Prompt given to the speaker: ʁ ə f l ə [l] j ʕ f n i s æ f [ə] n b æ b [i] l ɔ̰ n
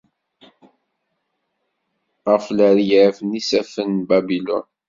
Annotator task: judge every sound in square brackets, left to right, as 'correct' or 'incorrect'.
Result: incorrect: ɾ, correct, correct

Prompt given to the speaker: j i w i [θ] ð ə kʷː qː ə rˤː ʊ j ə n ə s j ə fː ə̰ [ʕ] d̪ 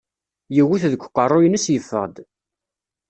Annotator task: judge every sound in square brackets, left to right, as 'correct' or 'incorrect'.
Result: correct, incorrect: ʁ

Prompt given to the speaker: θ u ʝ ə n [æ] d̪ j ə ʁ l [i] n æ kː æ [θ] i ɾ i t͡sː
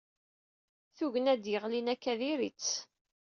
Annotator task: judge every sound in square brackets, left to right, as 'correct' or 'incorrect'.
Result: correct, correct, incorrect: ð

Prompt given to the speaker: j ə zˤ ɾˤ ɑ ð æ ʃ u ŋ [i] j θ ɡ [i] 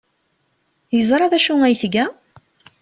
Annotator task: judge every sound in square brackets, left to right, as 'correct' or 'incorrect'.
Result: incorrect: æ, incorrect: æ

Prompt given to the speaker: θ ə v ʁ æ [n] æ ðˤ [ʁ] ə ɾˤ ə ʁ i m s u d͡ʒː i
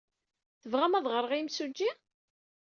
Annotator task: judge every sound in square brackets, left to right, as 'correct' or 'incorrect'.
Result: incorrect: m, correct

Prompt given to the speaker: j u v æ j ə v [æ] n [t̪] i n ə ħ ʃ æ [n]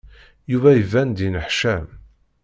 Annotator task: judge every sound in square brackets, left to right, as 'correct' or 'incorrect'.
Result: correct, incorrect: d̪, incorrect: m

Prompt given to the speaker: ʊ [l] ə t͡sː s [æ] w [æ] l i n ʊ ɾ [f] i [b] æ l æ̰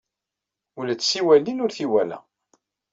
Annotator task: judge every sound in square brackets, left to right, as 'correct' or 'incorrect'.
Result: correct, incorrect: i, correct, incorrect: θ, incorrect: w

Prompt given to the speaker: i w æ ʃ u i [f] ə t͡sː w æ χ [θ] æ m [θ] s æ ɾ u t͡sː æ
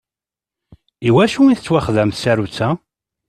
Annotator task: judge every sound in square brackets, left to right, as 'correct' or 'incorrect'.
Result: incorrect: θ, incorrect: ð, correct

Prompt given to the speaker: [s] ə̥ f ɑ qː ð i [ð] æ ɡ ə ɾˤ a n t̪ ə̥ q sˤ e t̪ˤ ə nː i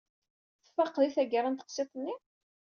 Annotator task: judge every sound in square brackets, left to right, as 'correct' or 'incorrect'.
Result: incorrect: θ, incorrect: θ

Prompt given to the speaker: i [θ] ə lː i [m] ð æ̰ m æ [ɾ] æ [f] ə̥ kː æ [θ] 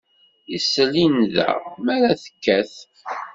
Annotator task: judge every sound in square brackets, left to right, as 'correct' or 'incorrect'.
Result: incorrect: s, incorrect: n, correct, incorrect: θ, correct

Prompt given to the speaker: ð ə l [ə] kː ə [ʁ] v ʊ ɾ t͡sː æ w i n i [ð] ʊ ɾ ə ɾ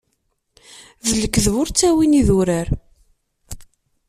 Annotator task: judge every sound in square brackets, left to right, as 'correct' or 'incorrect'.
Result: correct, incorrect: ð, correct

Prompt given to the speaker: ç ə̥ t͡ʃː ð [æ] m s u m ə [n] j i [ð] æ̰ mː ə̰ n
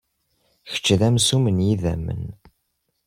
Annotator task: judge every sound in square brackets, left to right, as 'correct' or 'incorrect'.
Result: correct, correct, correct

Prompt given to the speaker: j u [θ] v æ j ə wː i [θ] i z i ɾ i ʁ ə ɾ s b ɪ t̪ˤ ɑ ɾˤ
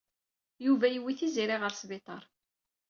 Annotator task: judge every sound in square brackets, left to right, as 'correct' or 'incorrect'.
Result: incorrect: none, correct

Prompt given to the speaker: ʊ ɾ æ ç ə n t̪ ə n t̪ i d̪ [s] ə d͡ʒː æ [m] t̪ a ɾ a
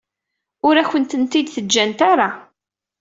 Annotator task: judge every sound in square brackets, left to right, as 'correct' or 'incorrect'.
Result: incorrect: θ, incorrect: n

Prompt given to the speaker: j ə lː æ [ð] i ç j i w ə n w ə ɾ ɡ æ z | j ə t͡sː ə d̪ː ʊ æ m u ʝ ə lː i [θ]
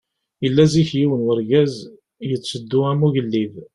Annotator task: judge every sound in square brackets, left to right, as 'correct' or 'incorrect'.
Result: incorrect: z, incorrect: ð

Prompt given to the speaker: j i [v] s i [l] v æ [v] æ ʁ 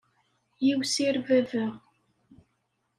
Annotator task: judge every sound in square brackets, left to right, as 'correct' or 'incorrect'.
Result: incorrect: w, incorrect: ɾ, correct

